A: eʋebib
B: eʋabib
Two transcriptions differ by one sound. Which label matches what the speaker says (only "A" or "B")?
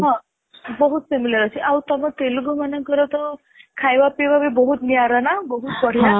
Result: B